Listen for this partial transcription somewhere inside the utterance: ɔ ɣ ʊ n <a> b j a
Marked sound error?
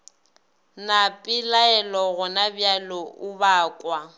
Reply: no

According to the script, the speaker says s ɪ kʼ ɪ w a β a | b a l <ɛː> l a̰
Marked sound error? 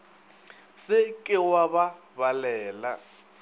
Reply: no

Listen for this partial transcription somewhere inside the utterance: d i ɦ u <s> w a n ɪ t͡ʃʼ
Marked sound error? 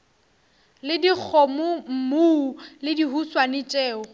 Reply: no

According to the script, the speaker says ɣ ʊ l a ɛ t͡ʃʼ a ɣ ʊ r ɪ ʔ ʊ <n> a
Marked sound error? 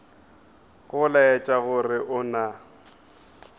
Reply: no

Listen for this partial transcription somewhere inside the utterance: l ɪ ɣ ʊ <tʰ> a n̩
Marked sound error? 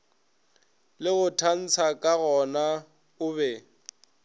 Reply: no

